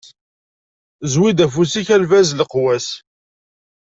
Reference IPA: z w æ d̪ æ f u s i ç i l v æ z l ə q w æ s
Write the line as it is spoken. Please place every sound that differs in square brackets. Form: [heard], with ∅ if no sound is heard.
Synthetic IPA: z w [i] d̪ æ f u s i ç [æ] l v æ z l ə q w æ s